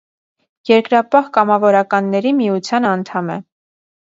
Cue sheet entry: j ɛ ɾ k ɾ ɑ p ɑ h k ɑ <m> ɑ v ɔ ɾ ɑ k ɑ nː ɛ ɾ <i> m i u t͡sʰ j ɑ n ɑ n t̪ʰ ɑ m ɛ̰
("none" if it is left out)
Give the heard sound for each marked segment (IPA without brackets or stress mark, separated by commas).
m, i